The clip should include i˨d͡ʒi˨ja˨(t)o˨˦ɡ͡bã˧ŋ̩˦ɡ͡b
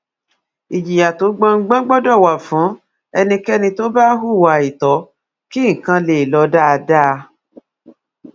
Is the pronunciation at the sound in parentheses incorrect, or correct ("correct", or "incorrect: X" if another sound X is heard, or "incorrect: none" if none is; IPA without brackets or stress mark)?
correct